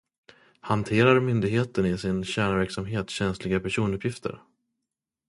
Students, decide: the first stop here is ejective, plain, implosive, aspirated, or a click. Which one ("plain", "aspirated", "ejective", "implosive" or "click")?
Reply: aspirated